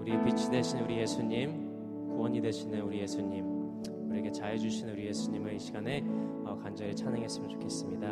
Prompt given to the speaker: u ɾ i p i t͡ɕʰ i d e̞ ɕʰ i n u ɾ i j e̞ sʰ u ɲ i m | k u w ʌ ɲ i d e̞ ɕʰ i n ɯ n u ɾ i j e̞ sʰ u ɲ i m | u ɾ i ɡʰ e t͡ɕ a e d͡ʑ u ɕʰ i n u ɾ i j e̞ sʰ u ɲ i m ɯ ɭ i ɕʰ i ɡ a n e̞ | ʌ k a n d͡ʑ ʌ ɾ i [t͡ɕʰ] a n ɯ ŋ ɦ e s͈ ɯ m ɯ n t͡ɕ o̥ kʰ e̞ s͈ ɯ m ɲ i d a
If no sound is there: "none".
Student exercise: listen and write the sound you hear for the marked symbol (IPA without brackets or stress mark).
t͡ɕʰ